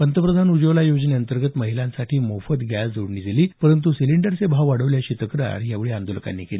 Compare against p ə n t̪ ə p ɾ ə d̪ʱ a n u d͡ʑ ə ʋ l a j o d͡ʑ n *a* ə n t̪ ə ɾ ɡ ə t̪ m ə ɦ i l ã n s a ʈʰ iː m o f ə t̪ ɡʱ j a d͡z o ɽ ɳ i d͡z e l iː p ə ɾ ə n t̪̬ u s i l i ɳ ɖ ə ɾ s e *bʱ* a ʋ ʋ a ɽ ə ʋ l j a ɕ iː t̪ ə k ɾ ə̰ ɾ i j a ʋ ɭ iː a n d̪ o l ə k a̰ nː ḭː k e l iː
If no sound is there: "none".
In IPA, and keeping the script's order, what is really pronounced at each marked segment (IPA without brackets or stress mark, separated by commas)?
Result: e, bʱ